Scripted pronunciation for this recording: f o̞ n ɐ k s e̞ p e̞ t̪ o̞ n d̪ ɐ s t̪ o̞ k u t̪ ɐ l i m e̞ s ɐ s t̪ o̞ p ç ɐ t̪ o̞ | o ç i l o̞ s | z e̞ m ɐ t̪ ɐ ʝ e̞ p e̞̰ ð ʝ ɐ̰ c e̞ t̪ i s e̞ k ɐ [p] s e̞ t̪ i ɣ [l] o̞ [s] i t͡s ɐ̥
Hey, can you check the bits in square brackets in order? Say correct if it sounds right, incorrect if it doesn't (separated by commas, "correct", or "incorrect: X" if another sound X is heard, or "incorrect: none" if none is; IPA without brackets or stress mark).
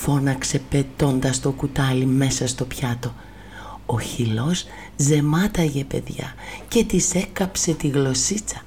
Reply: correct, correct, correct